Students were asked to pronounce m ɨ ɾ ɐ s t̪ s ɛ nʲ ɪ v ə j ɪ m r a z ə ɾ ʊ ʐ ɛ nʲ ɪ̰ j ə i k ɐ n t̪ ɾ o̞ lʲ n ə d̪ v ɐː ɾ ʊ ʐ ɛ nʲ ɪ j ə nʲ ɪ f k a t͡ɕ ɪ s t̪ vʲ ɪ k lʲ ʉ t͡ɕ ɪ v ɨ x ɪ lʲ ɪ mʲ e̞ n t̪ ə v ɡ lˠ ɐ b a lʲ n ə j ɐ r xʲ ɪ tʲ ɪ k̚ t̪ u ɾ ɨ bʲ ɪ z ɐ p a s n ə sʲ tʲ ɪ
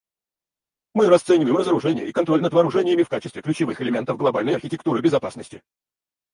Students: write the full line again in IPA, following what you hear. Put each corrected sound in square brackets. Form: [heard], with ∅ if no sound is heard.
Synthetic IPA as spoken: m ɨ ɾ ɐ s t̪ s ɛ nʲ ɪ v ə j ɪ m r [ə] z ə ɾ ʊ ʐ ɛ nʲ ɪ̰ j ə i k ɐ n t̪ ɾ o̞ lʲ n ə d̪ v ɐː ɾ ʊ ʐ ɛ nʲ ɪ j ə [mʲ] ɪ f k a t͡ɕ ɪ s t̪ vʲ ɪ k lʲ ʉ t͡ɕ ɪ v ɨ x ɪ lʲ ɪ mʲ e̞ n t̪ ə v ɡ lˠ ɐ b a lʲ n ə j ɐ r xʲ ɪ tʲ ɪ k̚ t̪ u ɾ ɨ bʲ ɪ z ɐ p a s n ə sʲ tʲ ɪ